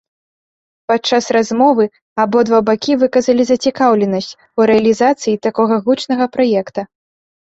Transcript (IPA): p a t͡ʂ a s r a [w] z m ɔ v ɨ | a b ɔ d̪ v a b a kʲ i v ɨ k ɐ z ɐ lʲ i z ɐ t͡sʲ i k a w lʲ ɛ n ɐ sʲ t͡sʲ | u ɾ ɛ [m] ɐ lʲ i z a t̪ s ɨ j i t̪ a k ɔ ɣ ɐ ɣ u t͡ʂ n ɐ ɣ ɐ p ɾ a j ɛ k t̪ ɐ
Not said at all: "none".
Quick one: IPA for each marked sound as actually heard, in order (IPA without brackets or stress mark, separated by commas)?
none, none